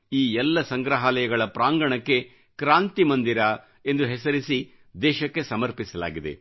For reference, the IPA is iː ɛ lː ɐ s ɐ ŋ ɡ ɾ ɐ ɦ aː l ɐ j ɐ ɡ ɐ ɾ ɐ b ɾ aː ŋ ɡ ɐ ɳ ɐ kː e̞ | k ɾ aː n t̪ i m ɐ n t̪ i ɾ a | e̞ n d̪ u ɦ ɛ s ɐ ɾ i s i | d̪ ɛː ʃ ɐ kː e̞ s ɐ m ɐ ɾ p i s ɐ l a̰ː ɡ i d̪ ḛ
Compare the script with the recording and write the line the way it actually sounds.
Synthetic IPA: iː ɛ lː ɐ s ɐ ŋ ɡ ɾ ɐ ɦ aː l ɐ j ɐ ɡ ɐ ɭ ɐ p ɾ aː ŋ ɡ ɐ ɳ ɐ kː e̞ | k ɾ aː n t̪ i m ɐ n d̪ i ɾ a | e̞ n d̪ u ɦ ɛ s ɐ ɾ i s i | d̪ ɛː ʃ ɐ kː e̞ s ɐ m ɐ ɾ p i s ɐ l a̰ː ɡ i d̪ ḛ